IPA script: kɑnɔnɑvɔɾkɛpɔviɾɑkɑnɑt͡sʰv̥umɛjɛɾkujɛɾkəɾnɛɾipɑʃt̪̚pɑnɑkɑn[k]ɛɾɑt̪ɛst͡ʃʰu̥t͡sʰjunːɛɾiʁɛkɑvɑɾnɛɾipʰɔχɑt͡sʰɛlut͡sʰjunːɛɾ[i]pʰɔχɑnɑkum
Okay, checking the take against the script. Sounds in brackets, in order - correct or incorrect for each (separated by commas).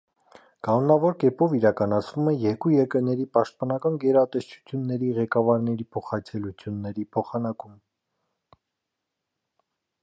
incorrect, correct